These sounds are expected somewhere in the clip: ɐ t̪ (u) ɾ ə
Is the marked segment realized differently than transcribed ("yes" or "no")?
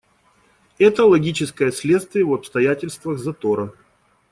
yes